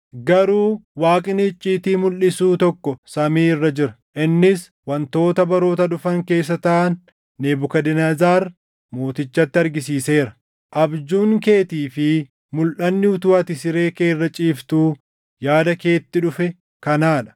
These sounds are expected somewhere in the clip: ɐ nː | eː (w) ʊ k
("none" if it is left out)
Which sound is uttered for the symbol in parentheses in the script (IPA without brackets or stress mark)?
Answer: b